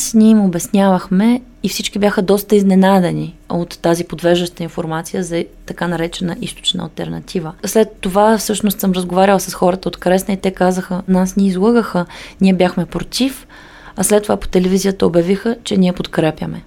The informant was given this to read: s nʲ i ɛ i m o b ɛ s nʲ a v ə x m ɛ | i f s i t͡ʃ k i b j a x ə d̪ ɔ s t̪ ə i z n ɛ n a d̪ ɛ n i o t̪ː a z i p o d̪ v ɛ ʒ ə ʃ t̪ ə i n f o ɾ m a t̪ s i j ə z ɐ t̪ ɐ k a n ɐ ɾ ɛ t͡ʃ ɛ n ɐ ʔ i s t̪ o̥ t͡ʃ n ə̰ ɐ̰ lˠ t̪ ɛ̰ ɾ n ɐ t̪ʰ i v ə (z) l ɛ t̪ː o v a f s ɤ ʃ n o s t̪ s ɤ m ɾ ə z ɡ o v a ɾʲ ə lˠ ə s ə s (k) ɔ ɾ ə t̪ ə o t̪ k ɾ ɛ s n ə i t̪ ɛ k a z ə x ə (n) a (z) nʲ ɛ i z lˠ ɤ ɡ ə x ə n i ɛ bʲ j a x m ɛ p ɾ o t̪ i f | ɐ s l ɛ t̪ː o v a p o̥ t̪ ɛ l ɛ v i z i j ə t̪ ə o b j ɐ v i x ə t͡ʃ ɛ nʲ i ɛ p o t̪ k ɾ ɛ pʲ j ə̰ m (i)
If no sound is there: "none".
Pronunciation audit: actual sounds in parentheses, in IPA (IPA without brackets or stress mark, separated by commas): s, x, n, s, ɛ